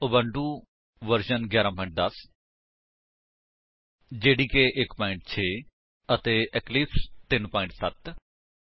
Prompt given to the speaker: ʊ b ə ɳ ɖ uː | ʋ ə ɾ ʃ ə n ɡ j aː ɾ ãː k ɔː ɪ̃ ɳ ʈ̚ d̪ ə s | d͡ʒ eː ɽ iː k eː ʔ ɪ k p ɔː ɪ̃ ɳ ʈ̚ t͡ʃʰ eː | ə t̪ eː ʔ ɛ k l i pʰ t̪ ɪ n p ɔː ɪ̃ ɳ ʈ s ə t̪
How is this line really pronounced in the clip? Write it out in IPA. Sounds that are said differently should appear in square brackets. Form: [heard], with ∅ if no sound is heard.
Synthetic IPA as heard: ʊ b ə ɳ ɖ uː | ʋ ə ɾ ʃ ə n ɡ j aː ɾ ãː [p] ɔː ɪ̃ ɳ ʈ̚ d̪ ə s | d͡ʒ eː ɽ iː k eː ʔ ɪ k p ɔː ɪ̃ ɳ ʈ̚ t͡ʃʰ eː | ə t̪ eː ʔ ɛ k l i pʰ t̪ ɪ n p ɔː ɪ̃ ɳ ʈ s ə t̪